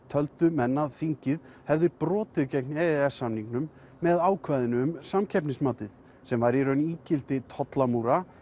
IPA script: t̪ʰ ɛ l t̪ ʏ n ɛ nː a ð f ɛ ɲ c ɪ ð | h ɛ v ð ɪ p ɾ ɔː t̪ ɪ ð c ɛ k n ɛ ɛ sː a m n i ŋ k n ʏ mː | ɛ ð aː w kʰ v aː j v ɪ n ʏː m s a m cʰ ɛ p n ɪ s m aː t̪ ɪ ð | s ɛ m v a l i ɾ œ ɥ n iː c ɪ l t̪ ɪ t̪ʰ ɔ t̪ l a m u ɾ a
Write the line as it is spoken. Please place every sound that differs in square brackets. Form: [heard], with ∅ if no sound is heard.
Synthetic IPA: t̪ʰ [œ] l t̪ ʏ [m] ɛ nː a ð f [i] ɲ c ɪ ð | h ɛ v ð ɪ p ɾ ɔː t̪ ɪ ð c ɛ k n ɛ ɛ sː a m n i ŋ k n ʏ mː | ɛ ð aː w kʰ v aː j [ð] ɪ n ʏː m s a m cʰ ɛ p n ɪ s m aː t̪ ɪ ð | s ɛ m v a [ɾ] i ɾ œ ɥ n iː c ɪ l t̪ ɪ t̪ʰ ɔ t̪ l a m u ɾ a

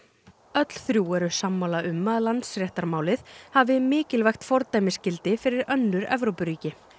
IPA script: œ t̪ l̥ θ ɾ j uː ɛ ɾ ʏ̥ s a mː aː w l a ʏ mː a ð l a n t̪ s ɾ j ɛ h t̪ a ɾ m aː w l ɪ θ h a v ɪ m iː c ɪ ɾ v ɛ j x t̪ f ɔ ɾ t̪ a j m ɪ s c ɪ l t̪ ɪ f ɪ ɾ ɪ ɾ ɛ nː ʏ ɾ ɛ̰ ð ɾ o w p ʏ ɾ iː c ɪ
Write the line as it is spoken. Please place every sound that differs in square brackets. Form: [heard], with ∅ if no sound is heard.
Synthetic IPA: œ t̪ l̥ θ ɾ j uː ɛ ɾ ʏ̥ s a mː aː w l a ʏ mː a ð l a n t̪ s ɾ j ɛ h t̪ a ɾ m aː w l ɪ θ h a v ɪ m [ɪː] c ɪ [l] v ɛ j x t̪ f ɔ ɾ t̪ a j m ɪ s c ɪ l t̪ ɪ f ɪ ɾ ɪ ɾ [œ] nː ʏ ɾ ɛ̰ [v] ɾ o w p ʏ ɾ iː c ɪ

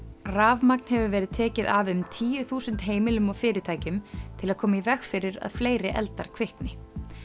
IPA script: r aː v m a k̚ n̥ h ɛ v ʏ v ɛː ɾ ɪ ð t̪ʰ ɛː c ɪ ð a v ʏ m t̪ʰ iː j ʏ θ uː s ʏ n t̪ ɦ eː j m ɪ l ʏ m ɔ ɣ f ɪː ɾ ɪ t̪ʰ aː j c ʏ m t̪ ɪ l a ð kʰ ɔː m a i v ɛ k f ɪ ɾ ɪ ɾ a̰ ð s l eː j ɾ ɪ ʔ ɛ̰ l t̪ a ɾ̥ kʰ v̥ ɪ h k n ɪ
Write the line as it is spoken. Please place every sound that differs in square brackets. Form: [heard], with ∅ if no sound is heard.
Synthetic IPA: r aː v m a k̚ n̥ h ɛ v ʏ v ɛː ɾ ɪ ð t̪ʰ ɛː c ɪ ð a v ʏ m t̪ʰ iː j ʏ θ uː s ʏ n t̪ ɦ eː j m ɪ l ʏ m ɔ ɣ f ɪː ɾ ɪ t̪ʰ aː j c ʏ m [t̪ʰ] ɪ l a ð kʰ ɔː m a i v ɛ [x] f ɪ ɾ ɪ ɾ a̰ ð [f] l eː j ɾ ɪ ʔ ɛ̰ l t̪ a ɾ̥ kʰ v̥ ɪ h k n ɪ

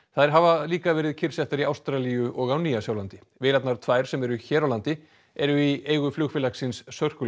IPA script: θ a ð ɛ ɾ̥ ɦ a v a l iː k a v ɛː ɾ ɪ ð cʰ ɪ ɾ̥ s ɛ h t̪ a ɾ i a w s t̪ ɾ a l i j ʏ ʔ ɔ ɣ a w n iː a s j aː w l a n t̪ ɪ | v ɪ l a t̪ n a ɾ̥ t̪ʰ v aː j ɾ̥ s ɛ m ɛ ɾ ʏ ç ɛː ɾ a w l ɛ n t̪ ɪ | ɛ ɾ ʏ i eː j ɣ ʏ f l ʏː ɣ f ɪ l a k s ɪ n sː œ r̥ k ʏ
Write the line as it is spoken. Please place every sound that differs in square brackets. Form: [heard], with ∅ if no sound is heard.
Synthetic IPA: θ a ð ɛ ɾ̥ ɦ a v a l iː k a v ɛː ɾ ɪ ð cʰ ɪ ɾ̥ s ɛ h t̪ a ɾ i a w s t̪ ɾ a l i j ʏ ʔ ɔ ɣ a w n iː a s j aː w l a n t̪ ɪ | v ɪ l a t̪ n a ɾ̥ t̪ʰ v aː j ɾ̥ s ɛ m ɛ ɾ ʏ ç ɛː ɾ a w l [a] n t̪ ɪ | ɛ ɾ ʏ i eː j ɣ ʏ f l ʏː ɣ f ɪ l a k s ɪ n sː œ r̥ k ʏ

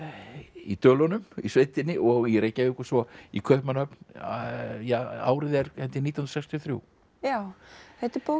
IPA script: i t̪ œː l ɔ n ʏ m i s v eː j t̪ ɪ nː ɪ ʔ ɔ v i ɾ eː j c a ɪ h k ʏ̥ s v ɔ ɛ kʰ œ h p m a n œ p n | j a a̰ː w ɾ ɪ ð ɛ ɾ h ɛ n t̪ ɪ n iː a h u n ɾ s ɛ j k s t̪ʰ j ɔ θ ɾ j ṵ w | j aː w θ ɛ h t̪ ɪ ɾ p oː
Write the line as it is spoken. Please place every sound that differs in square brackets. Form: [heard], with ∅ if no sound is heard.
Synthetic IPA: i t̪ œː l ɔ n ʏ m i s v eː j t̪ ɪ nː ɪ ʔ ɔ [ɣ] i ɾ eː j c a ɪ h k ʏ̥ s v ɔ [i] kʰ œ h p m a n œ p n | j a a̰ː w ɾ ɪ ð ɛ ɾ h ɛ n t̪ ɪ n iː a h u n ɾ s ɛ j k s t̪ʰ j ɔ θ ɾ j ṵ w | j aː w θ ɛ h t̪ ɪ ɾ p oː

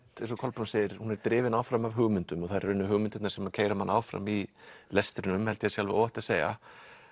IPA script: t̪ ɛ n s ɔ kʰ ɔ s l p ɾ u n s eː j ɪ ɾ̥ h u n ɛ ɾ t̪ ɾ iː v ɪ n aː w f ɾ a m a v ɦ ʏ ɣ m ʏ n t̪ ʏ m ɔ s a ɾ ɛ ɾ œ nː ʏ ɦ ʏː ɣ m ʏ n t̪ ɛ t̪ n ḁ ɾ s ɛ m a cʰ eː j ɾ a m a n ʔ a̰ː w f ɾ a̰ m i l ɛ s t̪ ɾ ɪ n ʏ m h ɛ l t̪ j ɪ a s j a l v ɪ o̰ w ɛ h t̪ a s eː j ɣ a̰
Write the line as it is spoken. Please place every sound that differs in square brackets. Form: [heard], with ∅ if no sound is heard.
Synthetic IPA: t̪ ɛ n s ɔ kʰ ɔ [∅] l p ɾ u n s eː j ɪ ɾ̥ h u n ɛ ɾ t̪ ɾ [ɪː] v ɪ n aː w f ɾ a m a v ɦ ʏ ɣ m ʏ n t̪ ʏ m ɔ [θ] a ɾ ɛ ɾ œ nː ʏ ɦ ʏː ɣ m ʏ n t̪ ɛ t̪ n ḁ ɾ s ɛ m a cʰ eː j ɾ a m a n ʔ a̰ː w f ɾ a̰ m i l ɛ s t̪ ɾ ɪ n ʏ m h ɛ l t̪ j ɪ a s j a l v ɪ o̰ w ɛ h t̪ a s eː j ɣ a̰

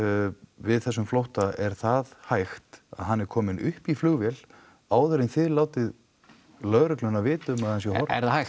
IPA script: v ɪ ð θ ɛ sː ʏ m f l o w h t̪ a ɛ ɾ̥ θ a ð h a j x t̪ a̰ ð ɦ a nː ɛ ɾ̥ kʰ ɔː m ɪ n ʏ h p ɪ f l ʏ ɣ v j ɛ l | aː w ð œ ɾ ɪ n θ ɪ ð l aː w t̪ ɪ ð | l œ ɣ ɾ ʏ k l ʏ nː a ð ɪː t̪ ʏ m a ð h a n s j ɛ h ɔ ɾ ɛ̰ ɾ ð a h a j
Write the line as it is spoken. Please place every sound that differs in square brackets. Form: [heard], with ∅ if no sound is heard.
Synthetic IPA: v ɪ ð θ ɛ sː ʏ m f l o w h t̪ a ɛ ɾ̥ θ a ð h a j x t̪ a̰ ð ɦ a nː ɛ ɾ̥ kʰ ɔː m ɪ n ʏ h p [i] f l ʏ ɣ v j ɛ l | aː w ð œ ɾ ɪ n θ ɪ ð l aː w t̪ ɪ ð | l œ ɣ ɾ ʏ k l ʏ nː a [v] ɪː t̪ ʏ m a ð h a n s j ɛ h ɔ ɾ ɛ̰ ɾ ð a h a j

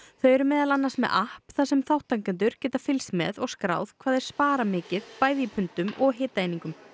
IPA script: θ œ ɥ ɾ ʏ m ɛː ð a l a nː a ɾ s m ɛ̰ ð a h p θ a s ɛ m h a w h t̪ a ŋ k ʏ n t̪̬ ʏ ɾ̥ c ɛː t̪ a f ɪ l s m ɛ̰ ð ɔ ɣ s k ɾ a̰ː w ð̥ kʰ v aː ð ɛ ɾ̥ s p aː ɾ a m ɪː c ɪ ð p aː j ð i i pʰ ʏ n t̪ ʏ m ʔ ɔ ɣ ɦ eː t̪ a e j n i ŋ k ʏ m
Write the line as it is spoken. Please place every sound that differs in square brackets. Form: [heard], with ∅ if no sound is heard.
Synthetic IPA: θ œ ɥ ɾ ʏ m ɛː ð a l a nː a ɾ s m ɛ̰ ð a h p θ a s ɛ m [θ] a w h t̪ a ŋ k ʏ n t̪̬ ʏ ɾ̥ c ɛː t̪ a f ɪ l s m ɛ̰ ð ɔ ɣ s k ɾ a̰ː w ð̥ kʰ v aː ð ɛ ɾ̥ s p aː ɾ a m ɪː c ɪ ð p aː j ð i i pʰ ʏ n t̪ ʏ m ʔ ɔ ɣ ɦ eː t̪ a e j n i ŋ k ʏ m

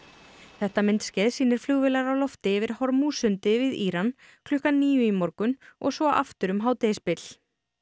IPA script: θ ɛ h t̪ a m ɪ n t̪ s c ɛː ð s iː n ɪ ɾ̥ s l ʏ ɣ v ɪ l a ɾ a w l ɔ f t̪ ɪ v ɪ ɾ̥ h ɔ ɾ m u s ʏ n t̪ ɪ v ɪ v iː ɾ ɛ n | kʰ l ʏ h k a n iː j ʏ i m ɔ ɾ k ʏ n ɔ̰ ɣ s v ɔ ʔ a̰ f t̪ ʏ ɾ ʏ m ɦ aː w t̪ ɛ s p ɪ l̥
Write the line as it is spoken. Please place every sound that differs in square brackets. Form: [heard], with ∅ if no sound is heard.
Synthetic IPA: θ ɛ h t̪ a m ɪ n t̪ s c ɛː ð s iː n ɪ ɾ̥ [f] l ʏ ɣ v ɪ l a ɾ a w l ɔ f t̪ ɪ v ɪ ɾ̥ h ɔ ɾ m u s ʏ n t̪ ɪ v ɪ [ð] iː ɾ [a] n | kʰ l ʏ h k a n iː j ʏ i m ɔ ɾ k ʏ n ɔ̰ ɣ s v ɔ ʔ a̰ f t̪ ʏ ɾ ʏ m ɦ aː w t̪ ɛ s p ɪ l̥

